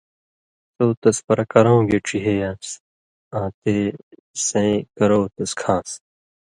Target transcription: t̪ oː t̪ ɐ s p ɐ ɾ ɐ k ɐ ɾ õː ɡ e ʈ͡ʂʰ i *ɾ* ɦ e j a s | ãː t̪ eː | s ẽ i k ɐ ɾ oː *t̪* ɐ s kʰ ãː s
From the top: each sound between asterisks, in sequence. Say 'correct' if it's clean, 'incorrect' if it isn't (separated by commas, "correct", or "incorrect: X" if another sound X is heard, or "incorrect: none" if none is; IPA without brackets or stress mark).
incorrect: none, correct